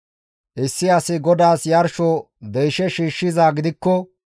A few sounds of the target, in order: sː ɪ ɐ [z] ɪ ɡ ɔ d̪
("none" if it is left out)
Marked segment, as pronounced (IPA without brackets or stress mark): s